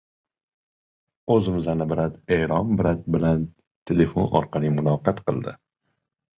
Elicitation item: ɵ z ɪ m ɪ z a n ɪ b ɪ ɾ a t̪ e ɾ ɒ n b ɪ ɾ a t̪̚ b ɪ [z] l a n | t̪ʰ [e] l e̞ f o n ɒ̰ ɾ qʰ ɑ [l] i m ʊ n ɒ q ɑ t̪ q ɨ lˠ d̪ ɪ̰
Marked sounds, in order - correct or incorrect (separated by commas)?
incorrect, correct, correct